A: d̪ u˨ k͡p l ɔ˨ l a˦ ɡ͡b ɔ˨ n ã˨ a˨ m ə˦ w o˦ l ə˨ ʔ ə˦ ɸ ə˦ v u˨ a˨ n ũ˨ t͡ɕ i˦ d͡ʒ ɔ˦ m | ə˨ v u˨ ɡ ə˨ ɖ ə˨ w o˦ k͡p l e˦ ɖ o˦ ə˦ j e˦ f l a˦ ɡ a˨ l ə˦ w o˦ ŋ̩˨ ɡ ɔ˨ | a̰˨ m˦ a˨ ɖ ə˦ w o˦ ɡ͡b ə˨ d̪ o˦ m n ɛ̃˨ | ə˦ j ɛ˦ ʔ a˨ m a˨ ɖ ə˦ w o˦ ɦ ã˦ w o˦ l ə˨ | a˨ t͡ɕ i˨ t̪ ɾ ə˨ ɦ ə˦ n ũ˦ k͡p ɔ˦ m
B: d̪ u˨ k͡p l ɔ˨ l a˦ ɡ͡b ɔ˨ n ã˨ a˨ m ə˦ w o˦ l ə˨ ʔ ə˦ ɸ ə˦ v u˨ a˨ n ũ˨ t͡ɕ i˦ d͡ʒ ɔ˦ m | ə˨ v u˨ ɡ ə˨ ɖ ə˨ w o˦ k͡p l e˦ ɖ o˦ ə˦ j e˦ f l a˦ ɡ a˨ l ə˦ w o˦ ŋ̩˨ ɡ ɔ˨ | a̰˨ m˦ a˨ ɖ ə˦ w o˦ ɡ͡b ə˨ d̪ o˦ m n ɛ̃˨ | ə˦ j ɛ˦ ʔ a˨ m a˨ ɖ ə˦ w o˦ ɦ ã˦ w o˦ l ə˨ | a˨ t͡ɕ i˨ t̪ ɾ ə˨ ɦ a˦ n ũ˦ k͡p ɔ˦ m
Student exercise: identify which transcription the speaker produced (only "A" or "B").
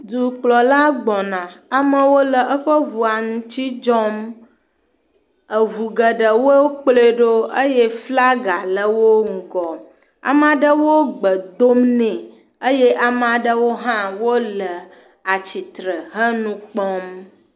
A